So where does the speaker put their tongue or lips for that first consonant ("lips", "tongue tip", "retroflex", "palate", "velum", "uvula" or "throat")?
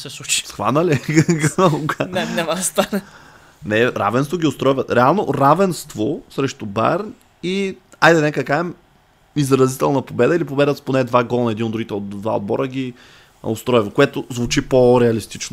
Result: tongue tip